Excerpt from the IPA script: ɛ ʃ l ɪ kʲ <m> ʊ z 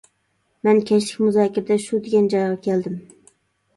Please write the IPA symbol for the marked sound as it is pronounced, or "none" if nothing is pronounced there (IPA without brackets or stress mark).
m